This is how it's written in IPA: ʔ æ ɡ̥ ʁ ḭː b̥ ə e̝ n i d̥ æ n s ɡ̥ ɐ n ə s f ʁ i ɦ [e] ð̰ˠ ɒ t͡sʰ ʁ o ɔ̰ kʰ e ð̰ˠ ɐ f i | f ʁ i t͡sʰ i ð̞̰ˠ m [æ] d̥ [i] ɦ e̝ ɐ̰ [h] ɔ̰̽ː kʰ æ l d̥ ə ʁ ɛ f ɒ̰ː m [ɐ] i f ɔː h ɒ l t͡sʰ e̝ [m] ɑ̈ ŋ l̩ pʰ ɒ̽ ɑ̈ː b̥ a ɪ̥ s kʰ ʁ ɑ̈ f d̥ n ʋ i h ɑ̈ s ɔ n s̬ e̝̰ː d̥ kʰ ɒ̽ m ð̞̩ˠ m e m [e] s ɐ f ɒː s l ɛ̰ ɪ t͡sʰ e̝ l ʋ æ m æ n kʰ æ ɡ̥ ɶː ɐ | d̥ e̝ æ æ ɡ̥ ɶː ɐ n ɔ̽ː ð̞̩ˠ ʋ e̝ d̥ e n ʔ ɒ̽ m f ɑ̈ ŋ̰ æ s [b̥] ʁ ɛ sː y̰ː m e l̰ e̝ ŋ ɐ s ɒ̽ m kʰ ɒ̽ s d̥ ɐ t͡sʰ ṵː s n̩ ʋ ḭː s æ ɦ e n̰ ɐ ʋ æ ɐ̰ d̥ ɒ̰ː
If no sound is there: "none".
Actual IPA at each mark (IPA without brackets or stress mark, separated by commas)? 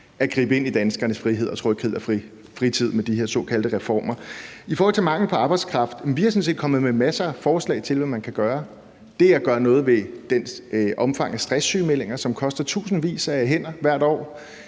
e, e, i, s, ɐ, m, æ, d̥